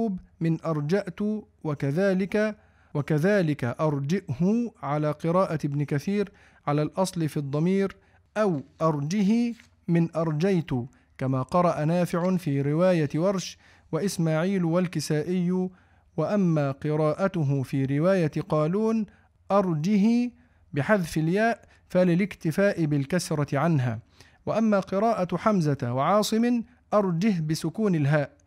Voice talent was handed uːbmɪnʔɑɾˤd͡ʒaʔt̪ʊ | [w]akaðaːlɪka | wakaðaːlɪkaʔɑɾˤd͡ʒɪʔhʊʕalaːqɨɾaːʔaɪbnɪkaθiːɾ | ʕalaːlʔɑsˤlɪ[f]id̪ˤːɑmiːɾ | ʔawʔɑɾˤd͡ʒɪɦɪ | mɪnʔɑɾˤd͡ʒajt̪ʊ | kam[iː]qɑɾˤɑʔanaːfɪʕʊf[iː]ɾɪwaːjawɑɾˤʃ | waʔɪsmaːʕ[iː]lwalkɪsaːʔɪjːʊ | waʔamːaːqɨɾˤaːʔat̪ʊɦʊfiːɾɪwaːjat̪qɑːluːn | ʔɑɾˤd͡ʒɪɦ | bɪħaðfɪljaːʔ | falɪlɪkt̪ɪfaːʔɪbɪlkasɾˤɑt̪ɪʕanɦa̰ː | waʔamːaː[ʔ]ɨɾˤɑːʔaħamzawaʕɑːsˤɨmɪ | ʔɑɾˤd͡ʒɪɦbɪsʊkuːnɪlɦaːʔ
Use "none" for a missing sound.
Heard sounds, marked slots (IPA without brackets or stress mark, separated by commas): w, f, aː, iː, iː, q